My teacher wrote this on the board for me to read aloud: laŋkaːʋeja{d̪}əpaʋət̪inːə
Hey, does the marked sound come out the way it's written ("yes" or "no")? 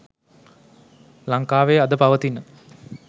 yes